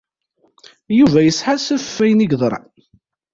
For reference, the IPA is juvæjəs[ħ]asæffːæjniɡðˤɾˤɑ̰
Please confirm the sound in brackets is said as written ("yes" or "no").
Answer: yes